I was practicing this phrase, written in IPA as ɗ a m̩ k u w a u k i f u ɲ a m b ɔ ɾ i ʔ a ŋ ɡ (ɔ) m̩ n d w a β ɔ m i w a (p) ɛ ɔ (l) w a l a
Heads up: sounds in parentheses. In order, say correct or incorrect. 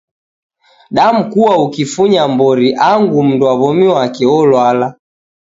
incorrect, incorrect, correct

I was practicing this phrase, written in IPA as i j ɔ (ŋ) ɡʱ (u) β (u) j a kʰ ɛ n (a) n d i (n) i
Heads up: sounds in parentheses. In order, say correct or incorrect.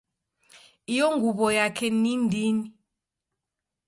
correct, correct, incorrect, incorrect, correct

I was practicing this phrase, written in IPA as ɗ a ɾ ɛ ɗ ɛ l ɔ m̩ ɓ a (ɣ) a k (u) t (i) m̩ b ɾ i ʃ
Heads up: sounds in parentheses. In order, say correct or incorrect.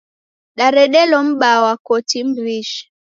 incorrect, incorrect, correct

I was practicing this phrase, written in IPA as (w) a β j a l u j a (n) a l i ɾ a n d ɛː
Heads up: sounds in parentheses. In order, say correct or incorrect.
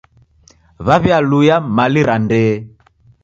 incorrect, incorrect

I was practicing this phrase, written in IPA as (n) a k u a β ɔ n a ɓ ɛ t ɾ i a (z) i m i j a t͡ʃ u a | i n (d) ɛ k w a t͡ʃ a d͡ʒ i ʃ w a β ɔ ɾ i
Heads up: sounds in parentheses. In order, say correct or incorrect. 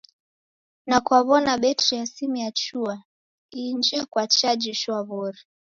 correct, incorrect, incorrect

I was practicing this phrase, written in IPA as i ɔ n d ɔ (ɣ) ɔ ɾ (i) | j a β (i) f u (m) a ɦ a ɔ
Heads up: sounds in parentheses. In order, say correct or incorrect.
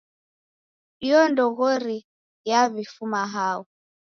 correct, correct, correct, correct

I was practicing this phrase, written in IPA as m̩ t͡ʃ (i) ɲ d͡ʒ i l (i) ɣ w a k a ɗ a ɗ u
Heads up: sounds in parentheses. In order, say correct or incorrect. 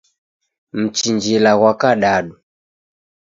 correct, incorrect

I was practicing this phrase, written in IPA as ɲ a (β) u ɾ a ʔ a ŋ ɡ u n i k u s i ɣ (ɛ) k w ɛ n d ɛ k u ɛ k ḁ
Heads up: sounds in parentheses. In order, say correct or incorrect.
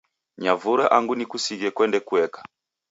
incorrect, correct

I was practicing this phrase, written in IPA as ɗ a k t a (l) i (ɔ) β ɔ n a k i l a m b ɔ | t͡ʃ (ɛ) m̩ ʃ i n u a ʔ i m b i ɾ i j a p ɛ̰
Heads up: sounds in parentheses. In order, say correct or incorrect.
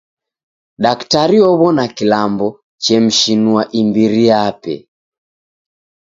incorrect, correct, correct

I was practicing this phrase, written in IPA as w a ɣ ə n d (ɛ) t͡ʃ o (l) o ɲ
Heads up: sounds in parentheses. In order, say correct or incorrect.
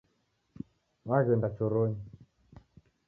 incorrect, incorrect

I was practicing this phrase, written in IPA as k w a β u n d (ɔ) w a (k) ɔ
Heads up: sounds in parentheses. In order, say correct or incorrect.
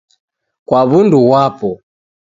incorrect, incorrect

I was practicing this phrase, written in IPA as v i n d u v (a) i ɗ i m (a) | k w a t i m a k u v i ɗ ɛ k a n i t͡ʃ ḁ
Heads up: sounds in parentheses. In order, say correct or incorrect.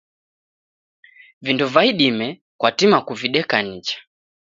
correct, incorrect

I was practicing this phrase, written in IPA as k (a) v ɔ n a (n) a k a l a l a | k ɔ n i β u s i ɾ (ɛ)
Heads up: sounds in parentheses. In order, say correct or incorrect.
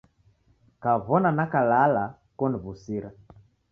correct, correct, incorrect

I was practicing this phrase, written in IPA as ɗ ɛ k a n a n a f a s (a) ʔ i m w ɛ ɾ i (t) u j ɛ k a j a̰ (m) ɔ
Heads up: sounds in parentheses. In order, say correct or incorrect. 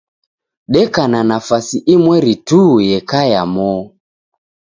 incorrect, correct, correct

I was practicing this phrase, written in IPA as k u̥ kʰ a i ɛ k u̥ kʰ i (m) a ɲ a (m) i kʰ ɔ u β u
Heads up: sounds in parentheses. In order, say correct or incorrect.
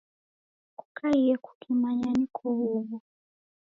correct, incorrect

